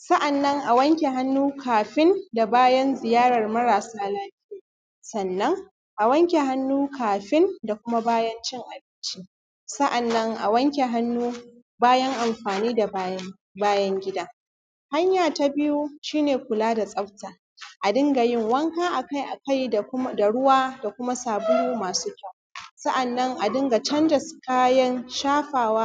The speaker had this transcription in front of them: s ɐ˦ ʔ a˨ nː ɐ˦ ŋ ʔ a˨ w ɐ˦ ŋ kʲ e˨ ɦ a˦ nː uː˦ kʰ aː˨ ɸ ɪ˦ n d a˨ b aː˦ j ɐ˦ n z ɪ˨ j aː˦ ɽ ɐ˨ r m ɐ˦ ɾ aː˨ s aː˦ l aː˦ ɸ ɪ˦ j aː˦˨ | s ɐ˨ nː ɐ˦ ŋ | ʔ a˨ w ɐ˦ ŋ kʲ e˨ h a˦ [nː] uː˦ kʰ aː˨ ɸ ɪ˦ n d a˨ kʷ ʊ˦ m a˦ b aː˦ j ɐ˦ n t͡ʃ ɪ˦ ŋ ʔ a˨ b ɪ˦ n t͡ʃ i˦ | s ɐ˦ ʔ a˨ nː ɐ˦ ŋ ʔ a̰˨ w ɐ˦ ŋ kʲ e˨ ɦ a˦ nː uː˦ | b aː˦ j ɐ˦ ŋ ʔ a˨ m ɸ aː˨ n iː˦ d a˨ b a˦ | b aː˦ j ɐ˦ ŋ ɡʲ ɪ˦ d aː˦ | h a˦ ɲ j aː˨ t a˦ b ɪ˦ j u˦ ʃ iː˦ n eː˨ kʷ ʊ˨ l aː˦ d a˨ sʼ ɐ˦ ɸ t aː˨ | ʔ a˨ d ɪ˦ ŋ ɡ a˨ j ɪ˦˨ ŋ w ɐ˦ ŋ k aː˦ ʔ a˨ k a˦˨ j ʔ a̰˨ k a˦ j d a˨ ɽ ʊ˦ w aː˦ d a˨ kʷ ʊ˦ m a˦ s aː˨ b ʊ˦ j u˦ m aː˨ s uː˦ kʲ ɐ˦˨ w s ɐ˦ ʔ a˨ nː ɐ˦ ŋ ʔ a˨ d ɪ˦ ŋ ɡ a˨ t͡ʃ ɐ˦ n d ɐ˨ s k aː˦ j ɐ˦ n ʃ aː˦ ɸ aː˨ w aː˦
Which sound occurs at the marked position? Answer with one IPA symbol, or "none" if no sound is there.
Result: nː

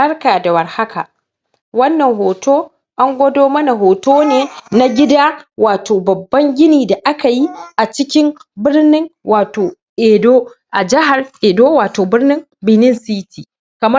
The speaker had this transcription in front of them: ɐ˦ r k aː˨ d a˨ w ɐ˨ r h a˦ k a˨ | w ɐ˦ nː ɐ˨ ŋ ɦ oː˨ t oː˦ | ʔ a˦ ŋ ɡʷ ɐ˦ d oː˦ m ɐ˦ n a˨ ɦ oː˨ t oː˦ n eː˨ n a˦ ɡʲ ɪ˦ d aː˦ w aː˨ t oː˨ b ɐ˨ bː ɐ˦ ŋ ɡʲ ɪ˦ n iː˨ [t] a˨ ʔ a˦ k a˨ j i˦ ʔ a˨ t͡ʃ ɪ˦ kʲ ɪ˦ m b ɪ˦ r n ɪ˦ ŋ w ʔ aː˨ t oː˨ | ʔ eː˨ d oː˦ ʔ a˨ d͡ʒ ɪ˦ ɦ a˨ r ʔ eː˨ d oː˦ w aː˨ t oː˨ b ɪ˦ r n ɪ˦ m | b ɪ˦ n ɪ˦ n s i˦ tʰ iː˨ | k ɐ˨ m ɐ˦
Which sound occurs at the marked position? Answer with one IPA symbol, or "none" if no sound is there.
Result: d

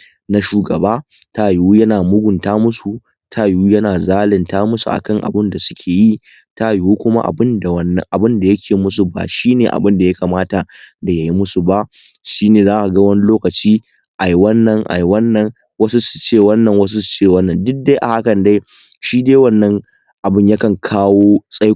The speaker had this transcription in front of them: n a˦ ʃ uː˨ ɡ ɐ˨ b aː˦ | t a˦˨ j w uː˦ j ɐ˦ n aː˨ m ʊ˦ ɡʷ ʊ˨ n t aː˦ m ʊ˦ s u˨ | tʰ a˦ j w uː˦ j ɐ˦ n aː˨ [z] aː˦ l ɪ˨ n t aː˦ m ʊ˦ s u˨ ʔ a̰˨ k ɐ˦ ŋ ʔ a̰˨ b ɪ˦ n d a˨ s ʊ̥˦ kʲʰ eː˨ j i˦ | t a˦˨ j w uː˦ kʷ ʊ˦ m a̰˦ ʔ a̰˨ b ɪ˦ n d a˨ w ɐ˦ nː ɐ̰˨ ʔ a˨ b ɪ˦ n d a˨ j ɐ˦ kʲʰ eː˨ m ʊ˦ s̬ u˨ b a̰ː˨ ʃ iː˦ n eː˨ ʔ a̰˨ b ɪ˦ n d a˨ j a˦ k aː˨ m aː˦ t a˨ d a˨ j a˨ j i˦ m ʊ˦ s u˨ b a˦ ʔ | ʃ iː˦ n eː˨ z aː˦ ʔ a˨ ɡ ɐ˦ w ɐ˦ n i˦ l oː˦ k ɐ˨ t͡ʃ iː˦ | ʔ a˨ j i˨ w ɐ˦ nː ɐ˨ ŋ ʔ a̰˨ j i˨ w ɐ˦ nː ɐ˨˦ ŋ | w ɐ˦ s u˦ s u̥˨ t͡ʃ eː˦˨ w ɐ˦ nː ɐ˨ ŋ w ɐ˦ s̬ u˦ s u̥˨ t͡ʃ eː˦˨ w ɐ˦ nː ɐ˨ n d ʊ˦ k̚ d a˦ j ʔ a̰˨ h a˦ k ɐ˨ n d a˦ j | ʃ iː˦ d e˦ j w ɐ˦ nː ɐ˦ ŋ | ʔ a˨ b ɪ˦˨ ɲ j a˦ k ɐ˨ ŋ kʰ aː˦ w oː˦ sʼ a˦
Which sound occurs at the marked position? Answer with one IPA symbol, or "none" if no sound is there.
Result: z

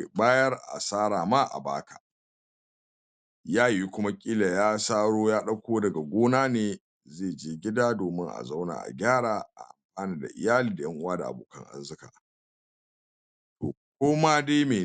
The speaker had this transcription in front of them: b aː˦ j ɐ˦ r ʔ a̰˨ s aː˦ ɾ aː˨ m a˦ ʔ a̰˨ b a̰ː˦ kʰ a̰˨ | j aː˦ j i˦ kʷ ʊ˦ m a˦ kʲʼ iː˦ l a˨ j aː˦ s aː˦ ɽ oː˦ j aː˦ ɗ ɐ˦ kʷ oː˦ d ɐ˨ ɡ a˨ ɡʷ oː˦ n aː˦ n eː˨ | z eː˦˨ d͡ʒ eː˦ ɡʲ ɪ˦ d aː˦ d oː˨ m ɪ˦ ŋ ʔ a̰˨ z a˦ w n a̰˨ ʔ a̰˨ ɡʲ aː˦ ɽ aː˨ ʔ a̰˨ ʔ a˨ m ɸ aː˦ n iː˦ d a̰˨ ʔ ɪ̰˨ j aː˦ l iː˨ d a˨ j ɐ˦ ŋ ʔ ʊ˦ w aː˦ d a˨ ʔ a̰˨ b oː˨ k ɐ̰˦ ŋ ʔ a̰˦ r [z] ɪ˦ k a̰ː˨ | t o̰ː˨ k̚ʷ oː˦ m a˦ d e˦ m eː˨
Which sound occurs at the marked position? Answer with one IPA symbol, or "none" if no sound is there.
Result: z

